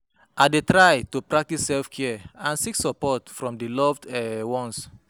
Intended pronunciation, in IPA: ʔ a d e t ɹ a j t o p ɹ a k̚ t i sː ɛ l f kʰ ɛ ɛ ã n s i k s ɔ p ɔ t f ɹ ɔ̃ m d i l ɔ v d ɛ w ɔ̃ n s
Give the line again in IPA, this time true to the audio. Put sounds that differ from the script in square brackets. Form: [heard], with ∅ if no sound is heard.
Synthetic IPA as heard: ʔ a d e t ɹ a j t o p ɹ a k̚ t i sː ɛ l f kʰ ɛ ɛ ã n s i k s ɔ p ɔ t f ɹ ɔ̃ m d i l ɔ v d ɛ w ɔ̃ n s